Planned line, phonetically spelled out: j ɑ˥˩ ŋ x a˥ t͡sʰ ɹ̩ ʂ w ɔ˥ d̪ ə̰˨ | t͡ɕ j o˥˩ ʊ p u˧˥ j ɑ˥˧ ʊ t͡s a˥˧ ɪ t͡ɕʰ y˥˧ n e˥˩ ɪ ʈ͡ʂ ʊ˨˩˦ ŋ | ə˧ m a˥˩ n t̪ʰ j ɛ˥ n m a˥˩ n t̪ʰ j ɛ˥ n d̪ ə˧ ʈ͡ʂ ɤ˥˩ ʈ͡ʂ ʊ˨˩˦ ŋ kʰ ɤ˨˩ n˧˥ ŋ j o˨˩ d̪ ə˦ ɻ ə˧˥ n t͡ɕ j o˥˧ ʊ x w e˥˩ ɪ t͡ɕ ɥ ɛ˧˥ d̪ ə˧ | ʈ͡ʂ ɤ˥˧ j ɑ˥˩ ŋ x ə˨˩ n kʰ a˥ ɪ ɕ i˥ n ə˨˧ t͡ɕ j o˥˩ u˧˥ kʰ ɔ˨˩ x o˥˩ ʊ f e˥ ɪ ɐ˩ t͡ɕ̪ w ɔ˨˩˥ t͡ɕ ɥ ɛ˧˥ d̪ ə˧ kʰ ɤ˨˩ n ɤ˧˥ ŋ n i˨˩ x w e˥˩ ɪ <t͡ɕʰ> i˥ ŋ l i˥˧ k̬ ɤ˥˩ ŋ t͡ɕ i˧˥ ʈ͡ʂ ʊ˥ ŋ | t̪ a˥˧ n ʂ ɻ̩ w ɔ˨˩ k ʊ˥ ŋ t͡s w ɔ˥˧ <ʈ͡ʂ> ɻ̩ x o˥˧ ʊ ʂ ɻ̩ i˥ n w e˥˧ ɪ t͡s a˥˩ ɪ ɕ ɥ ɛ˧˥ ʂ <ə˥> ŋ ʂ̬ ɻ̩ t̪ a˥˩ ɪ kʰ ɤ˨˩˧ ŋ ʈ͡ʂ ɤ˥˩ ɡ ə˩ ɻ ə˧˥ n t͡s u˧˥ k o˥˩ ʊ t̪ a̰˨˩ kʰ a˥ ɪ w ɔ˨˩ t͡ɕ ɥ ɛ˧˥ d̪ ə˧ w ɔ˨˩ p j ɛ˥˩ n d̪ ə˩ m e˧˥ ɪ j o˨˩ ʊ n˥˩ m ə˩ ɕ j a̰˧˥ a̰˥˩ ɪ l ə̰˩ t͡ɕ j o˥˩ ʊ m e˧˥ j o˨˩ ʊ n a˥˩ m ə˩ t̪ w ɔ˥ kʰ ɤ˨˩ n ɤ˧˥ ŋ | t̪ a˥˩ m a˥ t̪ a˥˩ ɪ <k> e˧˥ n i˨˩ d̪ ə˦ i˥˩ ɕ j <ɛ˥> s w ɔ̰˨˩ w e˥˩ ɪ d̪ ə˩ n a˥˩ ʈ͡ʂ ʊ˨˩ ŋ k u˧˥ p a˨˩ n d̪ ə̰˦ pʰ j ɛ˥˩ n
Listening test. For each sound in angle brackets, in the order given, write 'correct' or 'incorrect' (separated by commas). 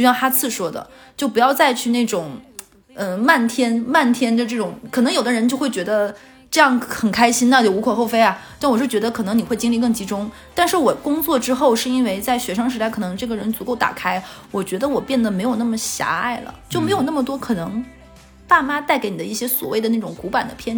incorrect, correct, incorrect, correct, correct